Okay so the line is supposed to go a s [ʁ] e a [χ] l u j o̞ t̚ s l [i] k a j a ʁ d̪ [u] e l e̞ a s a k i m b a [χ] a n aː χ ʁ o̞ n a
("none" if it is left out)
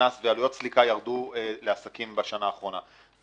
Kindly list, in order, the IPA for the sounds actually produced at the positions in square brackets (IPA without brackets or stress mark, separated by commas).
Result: v, none, i, u, ʃ